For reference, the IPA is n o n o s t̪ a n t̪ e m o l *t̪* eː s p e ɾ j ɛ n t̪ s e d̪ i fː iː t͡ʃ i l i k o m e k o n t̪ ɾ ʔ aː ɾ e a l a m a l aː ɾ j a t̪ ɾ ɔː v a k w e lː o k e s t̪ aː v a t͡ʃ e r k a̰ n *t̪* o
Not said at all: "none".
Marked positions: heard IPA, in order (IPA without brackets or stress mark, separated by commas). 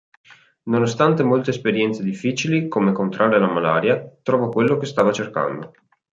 t̪, d̪